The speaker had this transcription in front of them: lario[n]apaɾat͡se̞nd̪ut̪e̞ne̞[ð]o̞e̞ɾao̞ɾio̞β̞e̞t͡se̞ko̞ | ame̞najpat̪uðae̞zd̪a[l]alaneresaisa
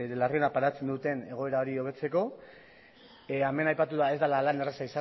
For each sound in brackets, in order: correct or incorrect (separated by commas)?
correct, incorrect, correct